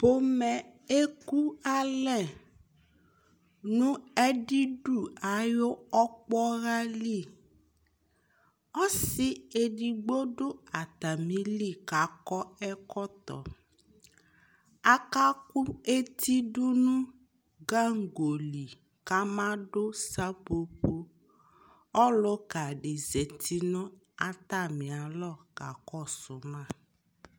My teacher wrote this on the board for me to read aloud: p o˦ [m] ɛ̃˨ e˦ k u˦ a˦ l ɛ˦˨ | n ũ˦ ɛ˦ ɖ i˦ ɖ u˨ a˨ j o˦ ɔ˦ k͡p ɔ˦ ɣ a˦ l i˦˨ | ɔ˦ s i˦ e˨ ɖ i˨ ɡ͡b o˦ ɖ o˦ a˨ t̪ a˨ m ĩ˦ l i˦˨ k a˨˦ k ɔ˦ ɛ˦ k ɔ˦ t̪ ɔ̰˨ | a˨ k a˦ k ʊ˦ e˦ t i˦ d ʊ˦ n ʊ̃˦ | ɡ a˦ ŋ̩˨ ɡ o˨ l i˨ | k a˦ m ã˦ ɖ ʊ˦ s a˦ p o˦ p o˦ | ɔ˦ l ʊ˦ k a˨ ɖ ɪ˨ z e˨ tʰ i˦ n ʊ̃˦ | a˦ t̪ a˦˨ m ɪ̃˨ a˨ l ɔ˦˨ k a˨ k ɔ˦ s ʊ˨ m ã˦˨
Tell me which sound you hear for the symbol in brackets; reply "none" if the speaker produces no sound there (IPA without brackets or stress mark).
m